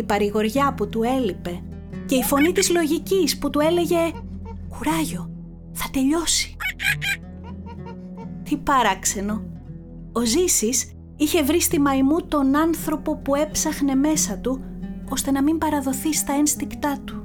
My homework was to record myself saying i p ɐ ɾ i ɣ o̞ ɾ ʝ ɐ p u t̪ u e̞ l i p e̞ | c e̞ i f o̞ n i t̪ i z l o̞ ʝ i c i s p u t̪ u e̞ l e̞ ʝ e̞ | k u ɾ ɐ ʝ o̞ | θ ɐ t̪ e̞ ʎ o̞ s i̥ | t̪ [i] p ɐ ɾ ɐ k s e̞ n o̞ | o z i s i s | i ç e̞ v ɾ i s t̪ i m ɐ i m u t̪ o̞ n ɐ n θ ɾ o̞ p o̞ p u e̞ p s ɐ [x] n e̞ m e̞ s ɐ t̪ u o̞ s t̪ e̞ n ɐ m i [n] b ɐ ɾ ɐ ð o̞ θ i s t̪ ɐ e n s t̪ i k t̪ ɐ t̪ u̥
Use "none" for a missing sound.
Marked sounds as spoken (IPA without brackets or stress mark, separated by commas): i, x, m